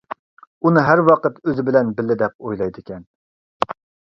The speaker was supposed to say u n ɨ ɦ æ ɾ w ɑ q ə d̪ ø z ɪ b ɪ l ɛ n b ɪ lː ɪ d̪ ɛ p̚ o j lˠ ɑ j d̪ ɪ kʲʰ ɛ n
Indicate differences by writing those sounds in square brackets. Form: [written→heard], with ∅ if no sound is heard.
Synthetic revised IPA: u n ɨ ɦ æ ɾ w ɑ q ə [d̪→t̪] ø z ɪ b ɪ l ɛ n b ɪ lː ɪ d̪ ɛ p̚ o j lˠ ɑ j d̪ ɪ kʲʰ ɛ n